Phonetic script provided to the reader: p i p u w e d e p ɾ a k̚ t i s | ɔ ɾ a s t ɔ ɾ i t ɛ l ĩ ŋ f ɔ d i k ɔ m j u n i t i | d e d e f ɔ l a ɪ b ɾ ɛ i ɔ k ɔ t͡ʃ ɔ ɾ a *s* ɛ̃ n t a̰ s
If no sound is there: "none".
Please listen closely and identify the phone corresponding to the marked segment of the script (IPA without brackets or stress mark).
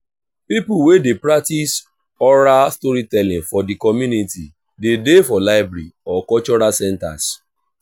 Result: s